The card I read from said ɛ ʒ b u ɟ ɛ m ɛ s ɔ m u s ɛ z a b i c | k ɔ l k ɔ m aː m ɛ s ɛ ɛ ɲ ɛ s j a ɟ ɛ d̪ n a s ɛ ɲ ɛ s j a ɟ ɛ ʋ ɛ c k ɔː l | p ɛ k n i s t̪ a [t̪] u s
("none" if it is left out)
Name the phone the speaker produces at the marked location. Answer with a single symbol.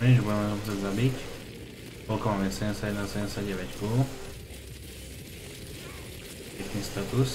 t̪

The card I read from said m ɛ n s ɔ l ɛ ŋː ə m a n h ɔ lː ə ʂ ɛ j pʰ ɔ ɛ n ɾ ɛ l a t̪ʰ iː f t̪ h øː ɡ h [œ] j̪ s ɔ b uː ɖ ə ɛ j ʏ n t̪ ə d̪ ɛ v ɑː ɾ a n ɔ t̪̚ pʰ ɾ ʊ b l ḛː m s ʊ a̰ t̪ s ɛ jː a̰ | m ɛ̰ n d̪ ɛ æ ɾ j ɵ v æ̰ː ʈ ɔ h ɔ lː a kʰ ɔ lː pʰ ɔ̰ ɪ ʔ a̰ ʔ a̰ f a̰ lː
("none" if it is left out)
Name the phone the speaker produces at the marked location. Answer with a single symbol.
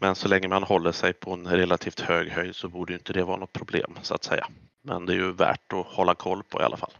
œ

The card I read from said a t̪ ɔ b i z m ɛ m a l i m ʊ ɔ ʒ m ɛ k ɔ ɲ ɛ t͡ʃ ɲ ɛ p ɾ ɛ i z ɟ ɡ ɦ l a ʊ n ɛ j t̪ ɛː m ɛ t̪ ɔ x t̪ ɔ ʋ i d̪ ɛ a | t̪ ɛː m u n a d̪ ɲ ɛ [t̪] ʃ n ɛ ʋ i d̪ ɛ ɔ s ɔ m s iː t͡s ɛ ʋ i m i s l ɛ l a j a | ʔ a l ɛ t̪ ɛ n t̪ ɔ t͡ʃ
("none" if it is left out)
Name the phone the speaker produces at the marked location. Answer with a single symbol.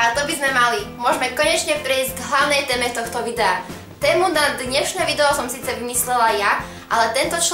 none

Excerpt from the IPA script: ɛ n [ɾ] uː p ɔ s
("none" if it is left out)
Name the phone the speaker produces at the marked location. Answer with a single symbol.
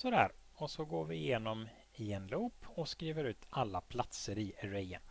l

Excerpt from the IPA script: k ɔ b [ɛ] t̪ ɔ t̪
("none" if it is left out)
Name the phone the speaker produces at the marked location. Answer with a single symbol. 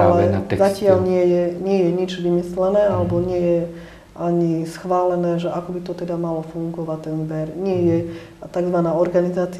i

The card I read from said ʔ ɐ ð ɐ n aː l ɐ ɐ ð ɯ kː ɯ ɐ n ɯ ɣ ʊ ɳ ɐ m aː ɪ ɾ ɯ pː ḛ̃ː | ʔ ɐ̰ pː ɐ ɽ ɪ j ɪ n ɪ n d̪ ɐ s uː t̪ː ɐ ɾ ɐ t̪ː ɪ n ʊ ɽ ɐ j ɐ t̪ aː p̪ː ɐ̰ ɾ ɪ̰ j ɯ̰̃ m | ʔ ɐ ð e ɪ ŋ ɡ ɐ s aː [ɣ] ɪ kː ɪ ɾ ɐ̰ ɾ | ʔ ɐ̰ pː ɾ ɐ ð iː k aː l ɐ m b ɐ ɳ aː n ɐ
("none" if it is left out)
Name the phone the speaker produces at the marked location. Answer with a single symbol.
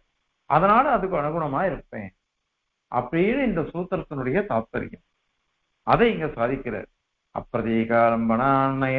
ð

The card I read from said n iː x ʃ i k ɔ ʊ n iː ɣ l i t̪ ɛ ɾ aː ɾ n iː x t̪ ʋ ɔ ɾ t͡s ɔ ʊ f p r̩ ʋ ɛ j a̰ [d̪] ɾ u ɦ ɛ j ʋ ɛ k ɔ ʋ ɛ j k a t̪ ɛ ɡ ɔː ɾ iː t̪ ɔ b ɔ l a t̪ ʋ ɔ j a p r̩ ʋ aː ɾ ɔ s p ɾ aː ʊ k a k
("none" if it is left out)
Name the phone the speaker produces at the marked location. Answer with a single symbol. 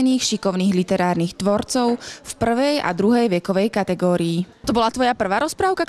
d̪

